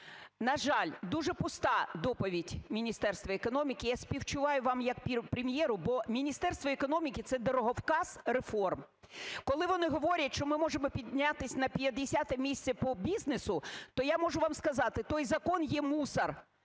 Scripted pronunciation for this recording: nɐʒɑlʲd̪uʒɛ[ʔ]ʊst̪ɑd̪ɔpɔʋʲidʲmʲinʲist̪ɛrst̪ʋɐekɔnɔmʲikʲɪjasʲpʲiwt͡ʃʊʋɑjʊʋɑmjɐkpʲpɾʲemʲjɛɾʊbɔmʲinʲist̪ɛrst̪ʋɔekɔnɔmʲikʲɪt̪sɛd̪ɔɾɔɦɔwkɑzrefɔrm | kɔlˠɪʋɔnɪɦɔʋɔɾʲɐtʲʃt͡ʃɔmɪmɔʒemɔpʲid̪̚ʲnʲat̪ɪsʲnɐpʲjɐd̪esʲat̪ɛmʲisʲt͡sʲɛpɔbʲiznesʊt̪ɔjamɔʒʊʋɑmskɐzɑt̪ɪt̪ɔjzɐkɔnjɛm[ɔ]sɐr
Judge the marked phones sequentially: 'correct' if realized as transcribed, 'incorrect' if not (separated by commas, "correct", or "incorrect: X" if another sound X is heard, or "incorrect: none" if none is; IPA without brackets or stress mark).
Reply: incorrect: p, incorrect: u